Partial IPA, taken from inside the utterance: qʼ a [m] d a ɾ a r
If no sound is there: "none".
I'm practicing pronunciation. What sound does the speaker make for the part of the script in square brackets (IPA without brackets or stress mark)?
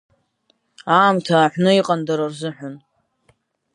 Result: n